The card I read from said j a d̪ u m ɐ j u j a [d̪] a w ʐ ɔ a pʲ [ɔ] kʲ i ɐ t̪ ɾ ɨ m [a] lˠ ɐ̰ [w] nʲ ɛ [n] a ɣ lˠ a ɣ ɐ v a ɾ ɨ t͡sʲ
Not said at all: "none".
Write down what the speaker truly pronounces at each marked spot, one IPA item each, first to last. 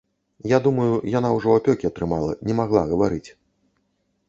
n̪, ɔ, a, none, m

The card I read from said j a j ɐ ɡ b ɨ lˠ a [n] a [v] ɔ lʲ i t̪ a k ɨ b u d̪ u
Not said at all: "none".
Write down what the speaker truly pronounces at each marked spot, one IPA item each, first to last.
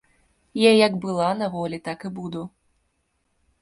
n, v

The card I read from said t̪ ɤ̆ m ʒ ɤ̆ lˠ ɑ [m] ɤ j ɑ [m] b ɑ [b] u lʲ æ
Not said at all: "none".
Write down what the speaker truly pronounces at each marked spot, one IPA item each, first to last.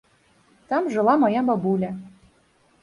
m, m, b

